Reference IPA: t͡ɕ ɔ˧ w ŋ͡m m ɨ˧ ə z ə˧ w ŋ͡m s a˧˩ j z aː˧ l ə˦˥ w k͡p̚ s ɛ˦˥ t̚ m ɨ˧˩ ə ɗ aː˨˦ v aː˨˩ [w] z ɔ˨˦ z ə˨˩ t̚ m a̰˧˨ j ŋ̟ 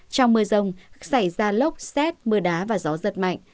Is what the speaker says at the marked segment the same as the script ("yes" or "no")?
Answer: no